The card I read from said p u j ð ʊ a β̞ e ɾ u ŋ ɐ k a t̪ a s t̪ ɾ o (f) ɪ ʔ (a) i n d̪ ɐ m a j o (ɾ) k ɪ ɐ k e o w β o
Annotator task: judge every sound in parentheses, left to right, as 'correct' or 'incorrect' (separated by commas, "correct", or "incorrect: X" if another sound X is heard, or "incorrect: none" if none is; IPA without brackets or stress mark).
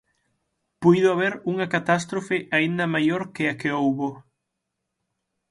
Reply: correct, correct, correct